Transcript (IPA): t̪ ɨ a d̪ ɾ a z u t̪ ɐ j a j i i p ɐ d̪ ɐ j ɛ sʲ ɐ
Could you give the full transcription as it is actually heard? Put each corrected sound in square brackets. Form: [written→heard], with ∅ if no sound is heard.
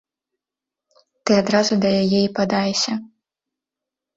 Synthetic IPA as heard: t̪ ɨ a d̪ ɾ a z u [t̪→d̪] ɐ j a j [i→ɛ] i p [ɐ→a] d̪ [ɐ→a] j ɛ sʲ ɐ